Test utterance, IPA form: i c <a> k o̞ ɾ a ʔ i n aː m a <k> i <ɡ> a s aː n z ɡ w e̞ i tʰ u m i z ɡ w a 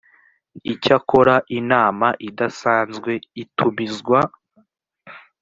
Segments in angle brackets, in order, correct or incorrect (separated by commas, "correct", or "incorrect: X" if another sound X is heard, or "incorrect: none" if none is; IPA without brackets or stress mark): correct, incorrect: ʔ, incorrect: d